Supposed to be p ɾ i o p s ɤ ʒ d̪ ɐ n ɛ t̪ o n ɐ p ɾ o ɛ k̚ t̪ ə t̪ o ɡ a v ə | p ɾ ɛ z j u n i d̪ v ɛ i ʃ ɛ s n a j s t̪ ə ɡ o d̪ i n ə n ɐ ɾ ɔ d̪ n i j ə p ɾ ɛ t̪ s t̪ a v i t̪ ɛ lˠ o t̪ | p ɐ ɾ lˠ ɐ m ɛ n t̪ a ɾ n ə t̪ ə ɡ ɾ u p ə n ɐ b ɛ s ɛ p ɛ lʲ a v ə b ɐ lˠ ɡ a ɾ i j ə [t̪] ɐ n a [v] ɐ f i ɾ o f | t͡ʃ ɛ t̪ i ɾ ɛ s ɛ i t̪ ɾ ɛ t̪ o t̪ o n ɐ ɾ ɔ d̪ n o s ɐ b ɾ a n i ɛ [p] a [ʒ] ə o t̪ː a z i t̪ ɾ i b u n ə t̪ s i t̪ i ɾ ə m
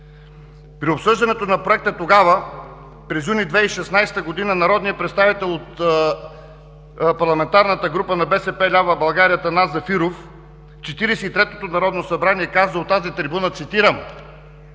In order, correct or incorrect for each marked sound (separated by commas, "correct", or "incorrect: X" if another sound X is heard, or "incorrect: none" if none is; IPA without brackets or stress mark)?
correct, incorrect: z, incorrect: k, incorrect: z